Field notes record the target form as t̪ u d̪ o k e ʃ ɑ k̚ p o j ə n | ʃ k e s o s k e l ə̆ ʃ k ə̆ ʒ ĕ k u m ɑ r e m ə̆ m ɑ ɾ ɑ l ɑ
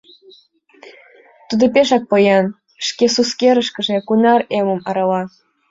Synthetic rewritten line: t̪ u d̪ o p e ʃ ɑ k̚ p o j ɑ n | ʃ k e s u s k e ɾ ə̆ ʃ k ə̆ ʒ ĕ k u n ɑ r e m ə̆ m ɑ ɾ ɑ l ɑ